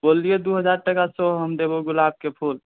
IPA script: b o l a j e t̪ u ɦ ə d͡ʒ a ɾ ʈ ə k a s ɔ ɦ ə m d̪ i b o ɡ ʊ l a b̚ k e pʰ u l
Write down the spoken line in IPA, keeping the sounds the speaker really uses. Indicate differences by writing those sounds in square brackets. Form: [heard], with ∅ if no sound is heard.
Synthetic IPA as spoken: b o l [i] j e [d̪] u ɦ ə d͡ʒ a ɾ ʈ ə k a s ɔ ɦ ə m d̪ [e] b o ɡ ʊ l a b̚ k e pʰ u l